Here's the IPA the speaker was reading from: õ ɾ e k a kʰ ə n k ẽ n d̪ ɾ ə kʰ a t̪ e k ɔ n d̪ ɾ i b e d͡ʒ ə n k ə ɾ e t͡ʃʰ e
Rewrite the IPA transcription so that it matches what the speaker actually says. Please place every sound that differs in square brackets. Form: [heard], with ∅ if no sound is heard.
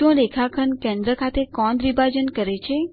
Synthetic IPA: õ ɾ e [kʰ] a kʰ ə n k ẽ n d̪ ɾ ə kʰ a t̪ e k ɔ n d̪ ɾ i b [a] d͡ʒ ə n k ə ɾ e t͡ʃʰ e